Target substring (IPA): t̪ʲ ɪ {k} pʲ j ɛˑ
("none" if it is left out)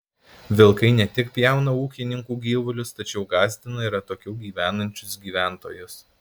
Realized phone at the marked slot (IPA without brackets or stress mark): k